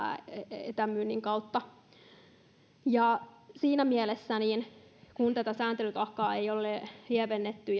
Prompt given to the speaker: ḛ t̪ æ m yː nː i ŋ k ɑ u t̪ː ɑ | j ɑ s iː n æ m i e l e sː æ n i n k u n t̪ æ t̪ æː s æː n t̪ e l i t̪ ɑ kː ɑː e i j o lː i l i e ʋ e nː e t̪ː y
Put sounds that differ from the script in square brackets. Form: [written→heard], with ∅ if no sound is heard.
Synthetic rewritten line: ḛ t̪ æ m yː nː i ŋ k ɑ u t̪ː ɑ | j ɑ s iː n æ m i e l e sː æ n i n k u n t̪ æ t̪ [æː→æ] s æː n t̪ e l [i→y] t̪ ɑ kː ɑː e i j o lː [i→e] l i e ʋ e nː e t̪ː y